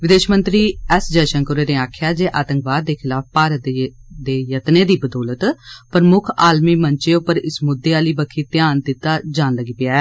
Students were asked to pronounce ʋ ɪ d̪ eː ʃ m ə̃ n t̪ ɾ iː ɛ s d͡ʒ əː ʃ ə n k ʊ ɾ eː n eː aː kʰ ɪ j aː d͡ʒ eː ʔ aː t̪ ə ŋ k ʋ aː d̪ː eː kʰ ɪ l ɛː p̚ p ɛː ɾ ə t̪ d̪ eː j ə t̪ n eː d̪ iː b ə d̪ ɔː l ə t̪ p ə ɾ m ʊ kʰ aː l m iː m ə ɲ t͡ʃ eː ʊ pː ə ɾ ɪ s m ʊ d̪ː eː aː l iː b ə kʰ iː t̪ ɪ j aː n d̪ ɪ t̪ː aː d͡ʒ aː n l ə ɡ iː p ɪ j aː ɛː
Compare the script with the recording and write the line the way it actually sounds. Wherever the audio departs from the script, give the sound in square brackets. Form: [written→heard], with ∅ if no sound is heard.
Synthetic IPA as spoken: ʋ ɪ d̪ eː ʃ m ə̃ n t̪ ɾ iː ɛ s d͡ʒ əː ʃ ə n k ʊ ɾ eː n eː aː kʰ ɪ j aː d͡ʒ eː ʔ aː t̪ ə ŋ k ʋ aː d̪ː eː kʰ ɪ l [ɛː→aː] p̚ p [ɛː→aː] ɾ ə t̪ d̪ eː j ə t̪ n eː d̪ iː b ə d̪ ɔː l ə t̪ p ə ɾ m ʊ kʰ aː l m iː m ə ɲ t͡ʃ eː ʊ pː ə ɾ ɪ s m ʊ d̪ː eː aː l iː b ə kʰ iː t̪ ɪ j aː n d̪ ɪ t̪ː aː d͡ʒ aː n l ə ɡ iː p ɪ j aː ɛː